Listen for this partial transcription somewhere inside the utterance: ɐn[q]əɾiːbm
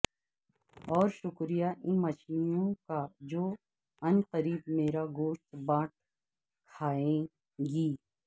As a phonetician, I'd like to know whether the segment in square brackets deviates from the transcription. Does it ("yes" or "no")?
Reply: no